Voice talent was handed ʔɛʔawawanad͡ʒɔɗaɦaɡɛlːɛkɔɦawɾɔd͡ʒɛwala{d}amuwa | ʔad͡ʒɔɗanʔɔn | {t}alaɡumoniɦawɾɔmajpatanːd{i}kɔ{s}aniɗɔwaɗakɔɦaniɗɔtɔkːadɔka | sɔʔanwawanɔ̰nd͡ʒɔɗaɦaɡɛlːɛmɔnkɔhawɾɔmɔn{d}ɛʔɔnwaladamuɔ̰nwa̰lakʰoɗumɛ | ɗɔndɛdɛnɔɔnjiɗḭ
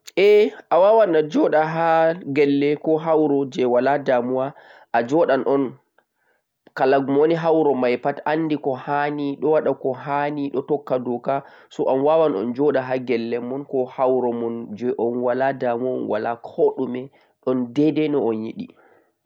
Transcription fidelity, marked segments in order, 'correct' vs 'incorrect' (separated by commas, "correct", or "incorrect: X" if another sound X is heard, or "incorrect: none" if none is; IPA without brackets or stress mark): correct, incorrect: k, correct, incorrect: h, incorrect: d͡ʒ